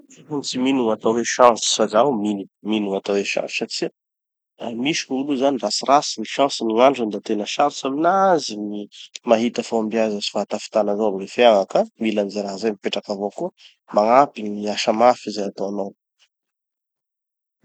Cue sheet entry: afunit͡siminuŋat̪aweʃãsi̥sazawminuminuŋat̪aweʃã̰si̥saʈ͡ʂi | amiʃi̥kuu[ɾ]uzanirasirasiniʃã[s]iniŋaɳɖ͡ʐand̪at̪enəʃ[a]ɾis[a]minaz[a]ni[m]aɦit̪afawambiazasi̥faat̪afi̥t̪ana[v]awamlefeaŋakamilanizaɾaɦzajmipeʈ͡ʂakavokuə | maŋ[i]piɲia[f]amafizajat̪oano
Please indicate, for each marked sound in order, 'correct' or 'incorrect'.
incorrect, correct, correct, correct, incorrect, correct, incorrect, incorrect, incorrect

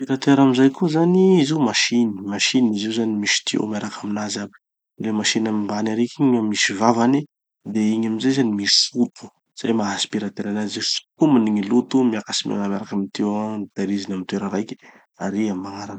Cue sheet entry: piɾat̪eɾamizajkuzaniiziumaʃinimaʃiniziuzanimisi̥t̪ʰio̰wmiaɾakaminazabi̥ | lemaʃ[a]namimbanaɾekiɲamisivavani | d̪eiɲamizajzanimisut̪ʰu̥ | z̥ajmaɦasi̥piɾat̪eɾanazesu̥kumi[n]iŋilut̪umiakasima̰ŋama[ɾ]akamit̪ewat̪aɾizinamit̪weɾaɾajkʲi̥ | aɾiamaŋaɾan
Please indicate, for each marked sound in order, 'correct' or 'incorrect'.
incorrect, correct, correct

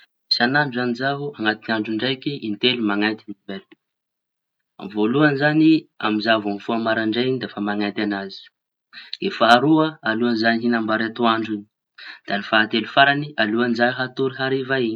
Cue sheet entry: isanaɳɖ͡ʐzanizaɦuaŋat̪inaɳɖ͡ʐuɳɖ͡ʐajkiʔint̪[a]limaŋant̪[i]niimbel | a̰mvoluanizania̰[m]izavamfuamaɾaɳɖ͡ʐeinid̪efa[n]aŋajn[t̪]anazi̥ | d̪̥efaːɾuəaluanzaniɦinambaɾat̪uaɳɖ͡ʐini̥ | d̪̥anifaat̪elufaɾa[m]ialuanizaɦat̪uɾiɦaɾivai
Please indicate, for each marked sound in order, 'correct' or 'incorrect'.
incorrect, correct, correct, incorrect, correct, incorrect

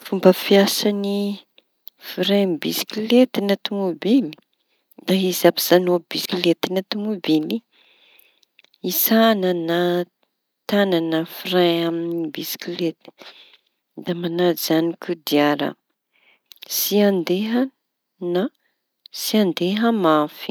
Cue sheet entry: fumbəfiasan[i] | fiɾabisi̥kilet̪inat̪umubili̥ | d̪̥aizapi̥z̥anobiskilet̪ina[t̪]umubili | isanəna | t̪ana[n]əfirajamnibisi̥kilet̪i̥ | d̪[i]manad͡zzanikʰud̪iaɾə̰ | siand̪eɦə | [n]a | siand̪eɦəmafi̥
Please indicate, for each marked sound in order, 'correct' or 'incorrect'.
correct, correct, correct, incorrect, correct

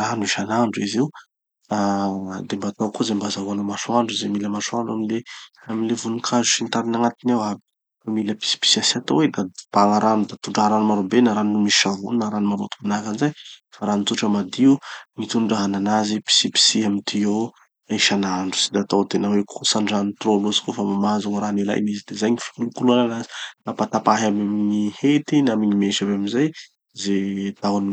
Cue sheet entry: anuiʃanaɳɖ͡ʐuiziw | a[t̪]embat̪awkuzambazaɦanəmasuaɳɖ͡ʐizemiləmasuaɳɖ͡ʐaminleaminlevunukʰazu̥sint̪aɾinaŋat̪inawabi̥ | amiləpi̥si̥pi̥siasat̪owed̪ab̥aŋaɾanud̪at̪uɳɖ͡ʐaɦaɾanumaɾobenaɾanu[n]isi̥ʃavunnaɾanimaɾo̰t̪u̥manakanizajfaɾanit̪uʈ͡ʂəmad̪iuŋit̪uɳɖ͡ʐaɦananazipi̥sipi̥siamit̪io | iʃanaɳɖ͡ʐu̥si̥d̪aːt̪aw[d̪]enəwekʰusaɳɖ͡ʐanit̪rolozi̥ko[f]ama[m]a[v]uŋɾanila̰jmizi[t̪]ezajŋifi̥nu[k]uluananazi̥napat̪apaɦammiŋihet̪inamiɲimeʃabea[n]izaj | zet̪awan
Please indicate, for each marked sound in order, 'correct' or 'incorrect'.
incorrect, incorrect, incorrect, correct, correct, incorrect, incorrect, correct, incorrect

